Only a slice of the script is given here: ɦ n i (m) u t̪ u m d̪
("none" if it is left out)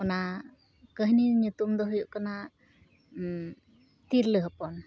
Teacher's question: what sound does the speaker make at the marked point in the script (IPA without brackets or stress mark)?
ɲ